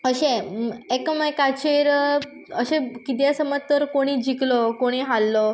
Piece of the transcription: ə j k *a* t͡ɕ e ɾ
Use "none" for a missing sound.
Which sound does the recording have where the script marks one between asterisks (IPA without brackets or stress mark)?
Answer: a